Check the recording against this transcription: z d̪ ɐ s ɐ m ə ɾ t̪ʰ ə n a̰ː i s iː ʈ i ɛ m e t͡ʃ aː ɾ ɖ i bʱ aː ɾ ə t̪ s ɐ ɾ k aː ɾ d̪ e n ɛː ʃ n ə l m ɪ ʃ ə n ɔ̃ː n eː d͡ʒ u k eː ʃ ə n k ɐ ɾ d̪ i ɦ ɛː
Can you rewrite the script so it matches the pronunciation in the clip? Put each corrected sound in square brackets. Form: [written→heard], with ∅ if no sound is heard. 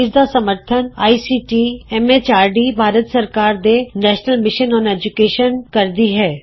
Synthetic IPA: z d̪ [ɐ→a] s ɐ m ə ɾ t̪ʰ ə n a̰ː i s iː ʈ i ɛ m e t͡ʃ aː ɾ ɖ i bʱ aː ɾ ə t̪ s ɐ ɾ k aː ɾ d̪ e n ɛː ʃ n ə l m ɪ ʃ ə n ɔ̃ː n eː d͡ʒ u k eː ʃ ə n k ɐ ɾ d̪ i ɦ ɛː